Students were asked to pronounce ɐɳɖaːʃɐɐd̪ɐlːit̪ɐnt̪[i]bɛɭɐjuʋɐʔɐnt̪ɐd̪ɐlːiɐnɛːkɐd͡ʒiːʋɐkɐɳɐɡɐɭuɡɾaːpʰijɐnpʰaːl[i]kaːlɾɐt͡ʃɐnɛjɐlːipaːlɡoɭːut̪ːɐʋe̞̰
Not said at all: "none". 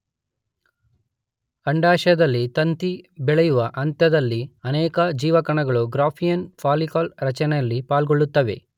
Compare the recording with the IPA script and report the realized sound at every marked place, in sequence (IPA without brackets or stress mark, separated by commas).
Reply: i, i